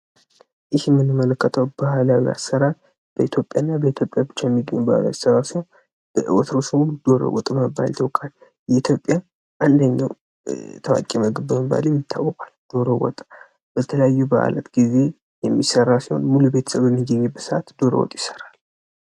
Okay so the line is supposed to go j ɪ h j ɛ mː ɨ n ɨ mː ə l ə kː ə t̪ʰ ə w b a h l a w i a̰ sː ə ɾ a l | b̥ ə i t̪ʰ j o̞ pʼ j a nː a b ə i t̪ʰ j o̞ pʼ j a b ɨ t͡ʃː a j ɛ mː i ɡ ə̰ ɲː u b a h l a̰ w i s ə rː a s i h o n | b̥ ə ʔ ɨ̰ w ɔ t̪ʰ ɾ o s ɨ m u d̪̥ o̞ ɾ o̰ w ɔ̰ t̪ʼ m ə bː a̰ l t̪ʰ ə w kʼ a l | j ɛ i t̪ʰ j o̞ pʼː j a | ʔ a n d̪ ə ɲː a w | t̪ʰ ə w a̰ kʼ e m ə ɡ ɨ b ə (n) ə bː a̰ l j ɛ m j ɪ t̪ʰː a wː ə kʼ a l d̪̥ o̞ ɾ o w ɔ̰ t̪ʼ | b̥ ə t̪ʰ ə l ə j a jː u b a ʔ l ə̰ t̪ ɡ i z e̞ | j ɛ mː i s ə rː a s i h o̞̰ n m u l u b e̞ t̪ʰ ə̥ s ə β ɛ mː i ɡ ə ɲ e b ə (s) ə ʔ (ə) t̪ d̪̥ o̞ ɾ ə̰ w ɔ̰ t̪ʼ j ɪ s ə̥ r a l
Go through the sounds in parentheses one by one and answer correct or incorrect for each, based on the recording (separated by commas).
incorrect, correct, incorrect